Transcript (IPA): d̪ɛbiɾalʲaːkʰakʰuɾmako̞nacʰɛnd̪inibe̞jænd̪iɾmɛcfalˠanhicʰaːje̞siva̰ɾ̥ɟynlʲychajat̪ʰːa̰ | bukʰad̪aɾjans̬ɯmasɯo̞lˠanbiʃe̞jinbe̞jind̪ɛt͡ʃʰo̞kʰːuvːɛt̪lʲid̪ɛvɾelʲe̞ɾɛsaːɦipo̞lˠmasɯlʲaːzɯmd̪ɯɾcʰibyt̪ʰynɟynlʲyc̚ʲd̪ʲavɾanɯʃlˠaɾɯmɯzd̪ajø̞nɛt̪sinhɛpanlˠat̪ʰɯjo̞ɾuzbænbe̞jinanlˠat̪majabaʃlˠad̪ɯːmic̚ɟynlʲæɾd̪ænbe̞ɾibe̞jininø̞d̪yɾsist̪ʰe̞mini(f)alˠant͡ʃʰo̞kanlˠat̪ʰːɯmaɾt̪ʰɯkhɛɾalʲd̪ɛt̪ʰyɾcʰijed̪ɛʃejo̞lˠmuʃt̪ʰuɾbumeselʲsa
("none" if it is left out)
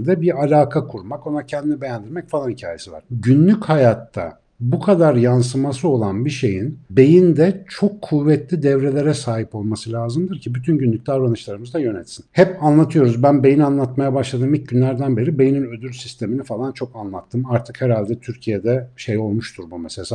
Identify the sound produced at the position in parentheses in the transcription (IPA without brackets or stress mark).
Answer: f